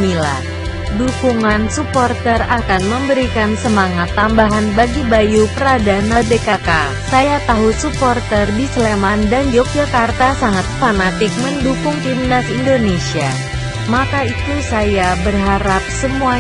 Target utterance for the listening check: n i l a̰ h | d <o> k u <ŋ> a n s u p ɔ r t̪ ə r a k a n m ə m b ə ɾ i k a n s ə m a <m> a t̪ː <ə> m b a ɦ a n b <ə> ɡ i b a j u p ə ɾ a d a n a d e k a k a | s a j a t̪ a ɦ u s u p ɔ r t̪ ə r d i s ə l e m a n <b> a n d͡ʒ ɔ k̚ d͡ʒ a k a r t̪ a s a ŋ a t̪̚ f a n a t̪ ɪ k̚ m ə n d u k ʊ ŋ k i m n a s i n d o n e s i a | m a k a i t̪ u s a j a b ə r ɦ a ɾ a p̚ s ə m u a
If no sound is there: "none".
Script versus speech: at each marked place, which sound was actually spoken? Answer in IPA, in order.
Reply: u, ŋ, ŋ, a, a, d

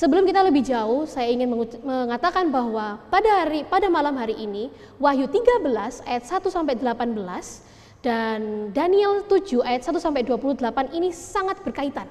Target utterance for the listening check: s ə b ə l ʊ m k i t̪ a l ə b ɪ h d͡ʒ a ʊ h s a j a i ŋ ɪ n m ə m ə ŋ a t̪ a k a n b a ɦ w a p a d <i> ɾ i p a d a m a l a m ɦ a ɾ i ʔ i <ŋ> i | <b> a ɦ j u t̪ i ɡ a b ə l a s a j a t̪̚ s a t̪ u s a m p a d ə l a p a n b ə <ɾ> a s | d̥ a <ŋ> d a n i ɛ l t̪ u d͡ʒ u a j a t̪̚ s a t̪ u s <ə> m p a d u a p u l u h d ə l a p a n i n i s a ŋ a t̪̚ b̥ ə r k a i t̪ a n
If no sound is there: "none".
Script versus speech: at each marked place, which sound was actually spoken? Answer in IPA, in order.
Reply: a, n, w, l, n, a

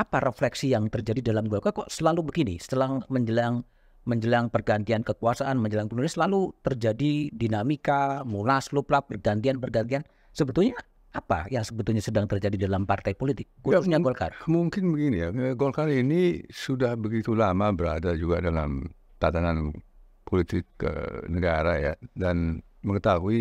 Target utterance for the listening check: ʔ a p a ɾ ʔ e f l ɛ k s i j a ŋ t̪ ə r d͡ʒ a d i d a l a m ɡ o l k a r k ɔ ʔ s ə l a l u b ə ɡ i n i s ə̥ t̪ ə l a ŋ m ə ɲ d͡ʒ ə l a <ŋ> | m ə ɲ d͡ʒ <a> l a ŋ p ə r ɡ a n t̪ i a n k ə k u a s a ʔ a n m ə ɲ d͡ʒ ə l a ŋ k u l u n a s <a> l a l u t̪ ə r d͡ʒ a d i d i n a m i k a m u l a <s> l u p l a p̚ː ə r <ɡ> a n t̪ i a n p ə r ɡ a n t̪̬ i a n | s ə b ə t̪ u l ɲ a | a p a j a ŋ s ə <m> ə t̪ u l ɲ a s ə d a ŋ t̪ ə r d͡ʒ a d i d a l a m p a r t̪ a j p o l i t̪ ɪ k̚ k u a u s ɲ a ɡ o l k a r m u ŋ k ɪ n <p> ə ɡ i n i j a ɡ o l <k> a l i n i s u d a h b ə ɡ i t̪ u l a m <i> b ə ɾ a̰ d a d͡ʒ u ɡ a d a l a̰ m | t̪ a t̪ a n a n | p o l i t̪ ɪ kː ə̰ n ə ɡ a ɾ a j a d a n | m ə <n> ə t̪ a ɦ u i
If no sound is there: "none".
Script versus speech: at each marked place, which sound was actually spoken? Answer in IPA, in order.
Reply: ŋ, ə, ə, s, ɡ, b, b, k, a, ŋ

